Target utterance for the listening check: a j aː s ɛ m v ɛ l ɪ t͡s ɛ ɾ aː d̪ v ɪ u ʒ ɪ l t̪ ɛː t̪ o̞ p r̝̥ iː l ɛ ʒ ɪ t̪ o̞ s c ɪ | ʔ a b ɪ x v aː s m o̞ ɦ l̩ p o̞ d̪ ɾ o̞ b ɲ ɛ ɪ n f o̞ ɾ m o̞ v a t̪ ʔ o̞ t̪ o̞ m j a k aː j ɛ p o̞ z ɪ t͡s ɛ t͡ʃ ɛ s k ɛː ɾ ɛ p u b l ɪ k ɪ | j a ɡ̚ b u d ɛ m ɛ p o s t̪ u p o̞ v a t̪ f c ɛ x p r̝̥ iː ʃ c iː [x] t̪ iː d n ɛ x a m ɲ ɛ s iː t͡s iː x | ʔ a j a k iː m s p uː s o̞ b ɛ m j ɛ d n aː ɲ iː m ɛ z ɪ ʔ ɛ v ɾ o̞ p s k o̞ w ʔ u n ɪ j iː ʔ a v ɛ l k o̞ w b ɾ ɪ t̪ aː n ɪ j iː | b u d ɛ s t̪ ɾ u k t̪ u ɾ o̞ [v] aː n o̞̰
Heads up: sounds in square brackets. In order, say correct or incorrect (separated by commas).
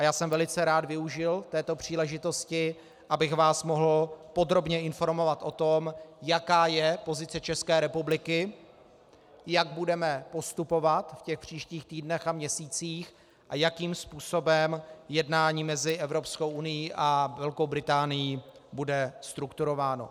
correct, correct